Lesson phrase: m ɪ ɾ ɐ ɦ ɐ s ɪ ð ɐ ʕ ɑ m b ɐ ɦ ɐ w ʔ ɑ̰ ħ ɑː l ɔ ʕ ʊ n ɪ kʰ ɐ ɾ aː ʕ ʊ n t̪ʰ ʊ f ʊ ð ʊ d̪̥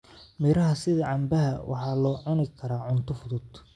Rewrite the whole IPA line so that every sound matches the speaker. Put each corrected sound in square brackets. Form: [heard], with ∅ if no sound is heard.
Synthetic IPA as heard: m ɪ ɾ ɐ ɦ ɐ s ɪ ð ɐ ʕ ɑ m b ɐ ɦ ɐ w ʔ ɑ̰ ħ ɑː l [ɔː] ʕ ʊ n ɪ kʰ ɐ ɾ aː ʕ ʊ n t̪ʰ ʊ f ʊ ð ʊ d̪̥